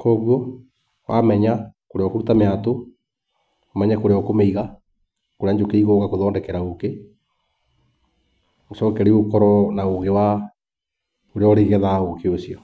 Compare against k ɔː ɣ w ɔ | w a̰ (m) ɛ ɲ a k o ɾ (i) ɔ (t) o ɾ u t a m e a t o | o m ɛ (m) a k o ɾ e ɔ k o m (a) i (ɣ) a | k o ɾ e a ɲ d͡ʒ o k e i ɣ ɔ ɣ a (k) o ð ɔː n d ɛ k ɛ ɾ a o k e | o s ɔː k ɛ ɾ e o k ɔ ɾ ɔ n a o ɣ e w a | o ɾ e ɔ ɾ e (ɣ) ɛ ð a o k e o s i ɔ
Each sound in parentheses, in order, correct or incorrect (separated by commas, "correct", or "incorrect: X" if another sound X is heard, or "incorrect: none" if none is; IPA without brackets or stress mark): correct, incorrect: e, incorrect: k, incorrect: ɲ, incorrect: e, correct, correct, correct